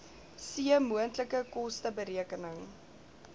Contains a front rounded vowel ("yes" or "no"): no